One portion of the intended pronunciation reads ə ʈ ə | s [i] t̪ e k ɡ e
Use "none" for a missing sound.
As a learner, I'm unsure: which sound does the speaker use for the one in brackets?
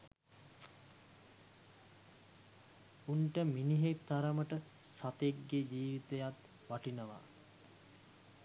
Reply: a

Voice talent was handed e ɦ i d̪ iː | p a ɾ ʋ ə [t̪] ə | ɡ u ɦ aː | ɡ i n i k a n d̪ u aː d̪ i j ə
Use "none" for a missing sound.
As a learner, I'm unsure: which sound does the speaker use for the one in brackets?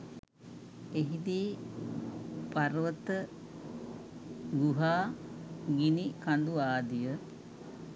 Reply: t̪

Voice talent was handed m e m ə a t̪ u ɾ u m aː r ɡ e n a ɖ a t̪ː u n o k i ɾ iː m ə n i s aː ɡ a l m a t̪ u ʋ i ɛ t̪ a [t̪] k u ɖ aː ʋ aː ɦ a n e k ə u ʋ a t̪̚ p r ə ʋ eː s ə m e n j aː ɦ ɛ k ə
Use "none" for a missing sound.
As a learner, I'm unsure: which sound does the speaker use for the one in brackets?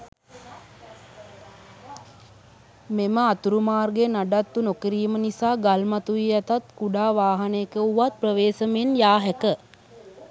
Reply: t̪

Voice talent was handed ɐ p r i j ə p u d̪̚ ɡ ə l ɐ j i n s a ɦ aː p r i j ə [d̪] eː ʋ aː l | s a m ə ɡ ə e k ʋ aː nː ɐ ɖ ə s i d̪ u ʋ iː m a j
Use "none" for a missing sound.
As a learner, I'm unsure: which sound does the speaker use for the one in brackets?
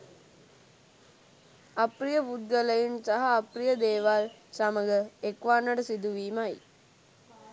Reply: d̪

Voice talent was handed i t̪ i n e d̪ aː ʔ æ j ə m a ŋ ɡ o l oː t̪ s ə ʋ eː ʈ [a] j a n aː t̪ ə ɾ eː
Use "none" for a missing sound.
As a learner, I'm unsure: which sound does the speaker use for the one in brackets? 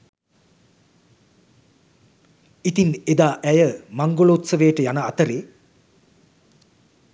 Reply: ə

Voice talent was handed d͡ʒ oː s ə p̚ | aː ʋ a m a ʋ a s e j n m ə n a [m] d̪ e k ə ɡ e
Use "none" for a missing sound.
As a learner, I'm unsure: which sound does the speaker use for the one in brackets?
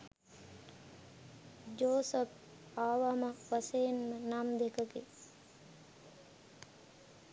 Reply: m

